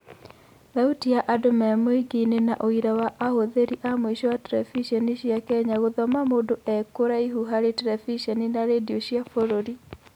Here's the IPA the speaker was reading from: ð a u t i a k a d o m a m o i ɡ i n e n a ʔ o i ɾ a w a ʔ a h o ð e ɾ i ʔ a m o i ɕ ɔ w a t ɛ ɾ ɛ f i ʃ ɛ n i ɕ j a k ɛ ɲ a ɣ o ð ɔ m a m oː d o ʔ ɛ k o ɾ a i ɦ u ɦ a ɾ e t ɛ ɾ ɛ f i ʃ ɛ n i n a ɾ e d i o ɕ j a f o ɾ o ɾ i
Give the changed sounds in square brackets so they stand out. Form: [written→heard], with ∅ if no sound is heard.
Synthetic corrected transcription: ð a u t i a [k→ʔ] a d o m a m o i ɡ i n e n a ʔ o i ɾ a w a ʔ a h o ð e ɾ i ʔ a m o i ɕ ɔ w a t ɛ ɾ ɛ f i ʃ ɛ n i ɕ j a k ɛ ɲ a ɣ o ð ɔ m a m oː d o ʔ ɛ k o ɾ a i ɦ u ɦ a ɾ e t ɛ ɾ ɛ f i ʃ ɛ n i n a ɾ e d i o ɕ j a f o ɾ o ɾ i